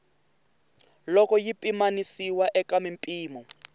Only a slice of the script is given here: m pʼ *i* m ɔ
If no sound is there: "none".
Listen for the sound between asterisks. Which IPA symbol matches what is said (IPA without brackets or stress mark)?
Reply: iː